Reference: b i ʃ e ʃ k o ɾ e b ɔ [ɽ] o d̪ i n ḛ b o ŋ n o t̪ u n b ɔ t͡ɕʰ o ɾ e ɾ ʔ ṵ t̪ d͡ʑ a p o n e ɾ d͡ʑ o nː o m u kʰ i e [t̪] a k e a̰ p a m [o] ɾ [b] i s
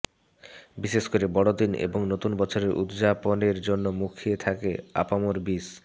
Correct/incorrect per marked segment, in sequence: correct, incorrect, correct, correct

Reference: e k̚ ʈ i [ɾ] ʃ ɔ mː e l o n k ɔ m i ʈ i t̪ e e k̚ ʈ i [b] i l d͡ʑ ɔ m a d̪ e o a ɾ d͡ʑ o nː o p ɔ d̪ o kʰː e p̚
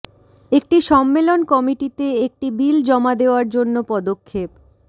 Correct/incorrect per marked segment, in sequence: incorrect, correct

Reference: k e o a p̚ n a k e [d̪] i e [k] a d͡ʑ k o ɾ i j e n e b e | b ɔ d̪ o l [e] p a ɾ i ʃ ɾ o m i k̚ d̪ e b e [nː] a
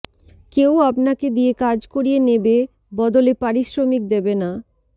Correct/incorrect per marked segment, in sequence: correct, correct, correct, incorrect

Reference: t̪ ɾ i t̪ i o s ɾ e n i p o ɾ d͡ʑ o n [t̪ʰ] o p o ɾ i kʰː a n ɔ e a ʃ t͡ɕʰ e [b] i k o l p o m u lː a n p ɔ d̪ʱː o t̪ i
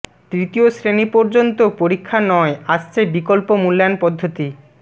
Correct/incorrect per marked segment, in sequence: incorrect, correct

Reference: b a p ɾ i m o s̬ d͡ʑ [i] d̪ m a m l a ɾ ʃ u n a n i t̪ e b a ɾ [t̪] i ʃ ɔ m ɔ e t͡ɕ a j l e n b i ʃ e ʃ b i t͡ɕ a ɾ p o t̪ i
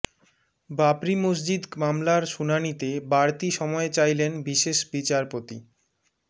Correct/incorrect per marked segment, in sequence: correct, correct

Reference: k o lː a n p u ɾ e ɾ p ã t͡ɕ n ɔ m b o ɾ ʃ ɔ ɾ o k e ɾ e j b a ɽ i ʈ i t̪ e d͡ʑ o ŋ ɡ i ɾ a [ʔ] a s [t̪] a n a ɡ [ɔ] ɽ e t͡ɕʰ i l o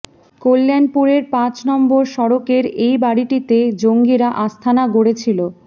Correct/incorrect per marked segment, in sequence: correct, incorrect, incorrect

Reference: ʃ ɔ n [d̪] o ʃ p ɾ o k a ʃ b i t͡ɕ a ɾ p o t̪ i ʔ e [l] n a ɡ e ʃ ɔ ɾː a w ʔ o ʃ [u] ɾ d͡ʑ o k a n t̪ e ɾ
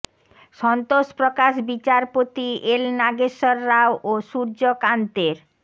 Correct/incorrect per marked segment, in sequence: incorrect, correct, correct

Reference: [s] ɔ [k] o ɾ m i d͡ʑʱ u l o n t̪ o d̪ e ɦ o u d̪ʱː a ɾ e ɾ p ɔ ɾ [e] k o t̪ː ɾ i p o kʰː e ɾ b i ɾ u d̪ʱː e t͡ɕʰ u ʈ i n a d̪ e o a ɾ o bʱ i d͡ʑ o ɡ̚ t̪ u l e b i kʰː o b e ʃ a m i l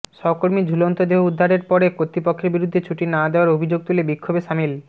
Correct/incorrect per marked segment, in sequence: incorrect, correct, correct

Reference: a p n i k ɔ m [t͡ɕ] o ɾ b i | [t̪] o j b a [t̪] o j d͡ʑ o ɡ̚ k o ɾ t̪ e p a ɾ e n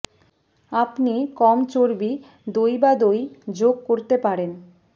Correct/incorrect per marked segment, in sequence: correct, incorrect, incorrect

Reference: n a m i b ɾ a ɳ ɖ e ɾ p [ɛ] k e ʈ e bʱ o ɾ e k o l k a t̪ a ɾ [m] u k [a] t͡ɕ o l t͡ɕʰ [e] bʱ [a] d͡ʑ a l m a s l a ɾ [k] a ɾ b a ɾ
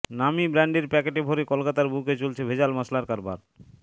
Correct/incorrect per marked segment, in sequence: correct, incorrect, incorrect, correct, incorrect, correct

